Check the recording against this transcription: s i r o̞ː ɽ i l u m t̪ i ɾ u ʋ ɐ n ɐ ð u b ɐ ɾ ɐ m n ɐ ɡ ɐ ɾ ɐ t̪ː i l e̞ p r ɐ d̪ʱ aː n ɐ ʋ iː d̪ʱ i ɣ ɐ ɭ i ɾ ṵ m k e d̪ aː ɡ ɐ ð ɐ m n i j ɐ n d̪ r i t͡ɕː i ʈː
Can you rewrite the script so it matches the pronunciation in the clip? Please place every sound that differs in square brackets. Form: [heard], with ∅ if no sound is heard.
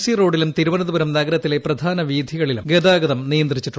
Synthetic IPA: s i r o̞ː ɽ i l u m t̪ i ɾ u ʋ ɐ n ɐ ð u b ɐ ɾ ɐ m n ɐ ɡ ɐ ɾ ɐ t̪ː i l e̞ p r ɐ d̪ʱ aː n ɐ ʋ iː d̪ʱ i ɣ ɐ ɭ i [l] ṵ m [ɡ] e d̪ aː ɡ ɐ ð ɐ m n i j ɐ n d̪ r i t͡ɕː i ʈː